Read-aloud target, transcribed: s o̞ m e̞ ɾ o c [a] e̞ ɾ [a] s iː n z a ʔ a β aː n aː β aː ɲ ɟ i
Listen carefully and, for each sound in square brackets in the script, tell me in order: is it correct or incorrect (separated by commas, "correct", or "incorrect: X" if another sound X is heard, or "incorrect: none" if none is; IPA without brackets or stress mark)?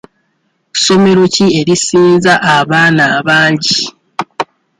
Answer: incorrect: i, incorrect: i